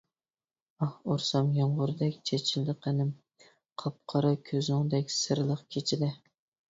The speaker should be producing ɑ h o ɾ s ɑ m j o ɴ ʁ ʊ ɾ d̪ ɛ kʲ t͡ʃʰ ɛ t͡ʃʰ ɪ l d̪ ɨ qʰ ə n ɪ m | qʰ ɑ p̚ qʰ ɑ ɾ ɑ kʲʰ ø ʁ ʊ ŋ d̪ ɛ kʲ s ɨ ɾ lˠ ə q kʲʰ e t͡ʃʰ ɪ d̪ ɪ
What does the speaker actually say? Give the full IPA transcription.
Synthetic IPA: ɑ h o ɾ s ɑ m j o ɴ ʁ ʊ ɾ d̪ ɛ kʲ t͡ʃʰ e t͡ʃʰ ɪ l d̪ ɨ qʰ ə n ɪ m | qʰ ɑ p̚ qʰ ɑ ɾ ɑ kʲʰ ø z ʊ ŋ d̪ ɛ kʲ s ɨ ɾ lˠ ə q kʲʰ e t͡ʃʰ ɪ d̪ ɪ